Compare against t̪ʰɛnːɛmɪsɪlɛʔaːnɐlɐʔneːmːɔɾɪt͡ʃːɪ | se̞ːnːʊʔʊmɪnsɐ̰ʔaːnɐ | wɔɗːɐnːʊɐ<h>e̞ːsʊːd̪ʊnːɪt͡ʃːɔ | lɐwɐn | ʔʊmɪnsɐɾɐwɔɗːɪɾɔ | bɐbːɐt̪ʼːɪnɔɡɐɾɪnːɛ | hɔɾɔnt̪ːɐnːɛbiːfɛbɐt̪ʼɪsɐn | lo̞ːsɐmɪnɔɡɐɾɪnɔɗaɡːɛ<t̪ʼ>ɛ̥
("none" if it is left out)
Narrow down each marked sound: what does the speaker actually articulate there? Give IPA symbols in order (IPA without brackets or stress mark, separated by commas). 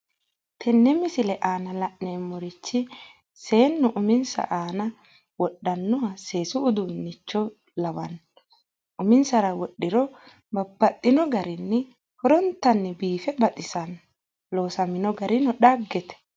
s, t̪